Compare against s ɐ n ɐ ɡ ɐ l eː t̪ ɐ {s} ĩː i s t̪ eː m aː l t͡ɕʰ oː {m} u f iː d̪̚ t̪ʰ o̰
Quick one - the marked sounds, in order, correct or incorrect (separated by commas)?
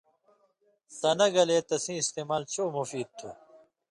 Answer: correct, correct